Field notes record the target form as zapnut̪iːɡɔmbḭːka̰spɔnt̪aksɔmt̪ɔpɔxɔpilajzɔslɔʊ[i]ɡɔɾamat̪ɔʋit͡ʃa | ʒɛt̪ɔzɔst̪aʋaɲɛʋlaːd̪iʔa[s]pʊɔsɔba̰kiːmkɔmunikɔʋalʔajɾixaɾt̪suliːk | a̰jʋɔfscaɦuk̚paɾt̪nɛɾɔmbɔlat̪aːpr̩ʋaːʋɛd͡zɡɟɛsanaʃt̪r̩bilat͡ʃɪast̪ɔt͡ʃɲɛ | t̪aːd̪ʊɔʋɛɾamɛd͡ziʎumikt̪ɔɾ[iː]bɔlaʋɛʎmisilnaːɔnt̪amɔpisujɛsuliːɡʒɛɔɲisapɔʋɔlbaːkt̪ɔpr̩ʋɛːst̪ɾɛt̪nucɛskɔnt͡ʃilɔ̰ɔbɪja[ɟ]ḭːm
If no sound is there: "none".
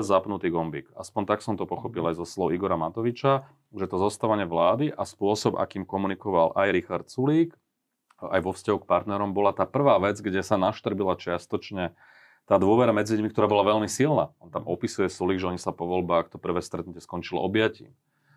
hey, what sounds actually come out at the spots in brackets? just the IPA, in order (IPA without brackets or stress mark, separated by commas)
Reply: i, s, aː, c